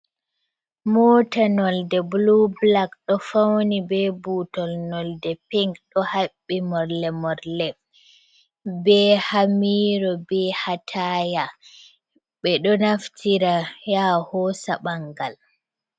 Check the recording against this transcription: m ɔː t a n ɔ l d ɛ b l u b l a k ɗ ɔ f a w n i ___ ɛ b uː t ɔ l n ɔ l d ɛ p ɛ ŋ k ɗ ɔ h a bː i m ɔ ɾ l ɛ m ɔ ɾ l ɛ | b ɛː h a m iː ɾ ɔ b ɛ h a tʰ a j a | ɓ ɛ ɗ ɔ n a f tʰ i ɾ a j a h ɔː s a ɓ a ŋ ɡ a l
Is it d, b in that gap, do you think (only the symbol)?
b